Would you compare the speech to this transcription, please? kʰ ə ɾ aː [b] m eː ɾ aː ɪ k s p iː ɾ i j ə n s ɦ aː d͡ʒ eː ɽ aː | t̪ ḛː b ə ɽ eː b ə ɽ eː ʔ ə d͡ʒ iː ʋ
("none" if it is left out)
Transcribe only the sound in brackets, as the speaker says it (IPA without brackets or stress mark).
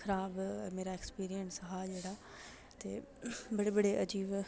b